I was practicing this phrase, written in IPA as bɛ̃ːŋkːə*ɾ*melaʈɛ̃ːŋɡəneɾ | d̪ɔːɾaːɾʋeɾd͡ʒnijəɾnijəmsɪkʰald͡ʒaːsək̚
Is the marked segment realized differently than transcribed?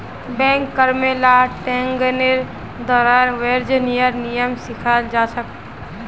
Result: no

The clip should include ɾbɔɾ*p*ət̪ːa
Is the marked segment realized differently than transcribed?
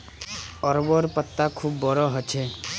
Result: no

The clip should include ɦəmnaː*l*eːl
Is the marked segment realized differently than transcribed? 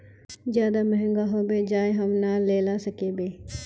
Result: no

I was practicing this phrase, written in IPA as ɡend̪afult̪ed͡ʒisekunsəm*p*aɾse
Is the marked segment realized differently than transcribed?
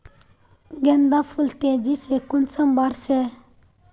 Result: yes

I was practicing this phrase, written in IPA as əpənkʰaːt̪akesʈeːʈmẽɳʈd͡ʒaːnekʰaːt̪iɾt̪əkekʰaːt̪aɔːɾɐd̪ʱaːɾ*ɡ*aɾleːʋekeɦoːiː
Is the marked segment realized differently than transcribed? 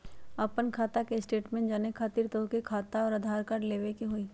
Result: yes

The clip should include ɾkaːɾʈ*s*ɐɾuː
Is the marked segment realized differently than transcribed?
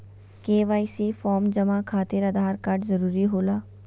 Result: yes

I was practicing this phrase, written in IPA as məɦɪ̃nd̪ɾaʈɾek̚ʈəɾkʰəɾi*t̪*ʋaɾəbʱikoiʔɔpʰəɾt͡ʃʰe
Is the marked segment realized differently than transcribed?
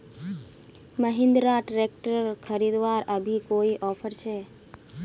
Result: yes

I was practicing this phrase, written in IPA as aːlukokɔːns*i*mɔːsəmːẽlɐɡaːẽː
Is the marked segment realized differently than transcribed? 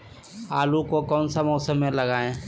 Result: yes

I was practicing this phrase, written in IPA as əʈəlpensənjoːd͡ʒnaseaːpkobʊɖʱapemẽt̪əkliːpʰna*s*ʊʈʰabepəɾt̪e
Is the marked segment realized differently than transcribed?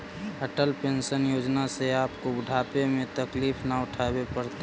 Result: yes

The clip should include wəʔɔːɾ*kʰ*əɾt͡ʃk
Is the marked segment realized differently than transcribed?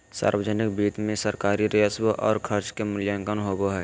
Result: no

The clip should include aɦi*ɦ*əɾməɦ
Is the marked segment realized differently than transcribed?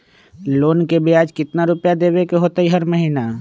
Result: no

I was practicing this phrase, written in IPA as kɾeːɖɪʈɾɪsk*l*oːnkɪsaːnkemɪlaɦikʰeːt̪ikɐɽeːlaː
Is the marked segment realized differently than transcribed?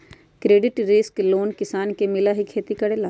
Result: no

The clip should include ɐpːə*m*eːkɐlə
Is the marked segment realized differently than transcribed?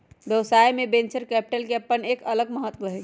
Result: yes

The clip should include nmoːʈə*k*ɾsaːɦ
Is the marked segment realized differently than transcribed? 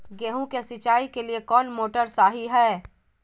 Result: yes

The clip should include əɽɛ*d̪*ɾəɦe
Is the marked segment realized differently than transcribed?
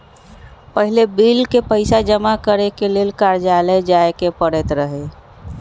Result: yes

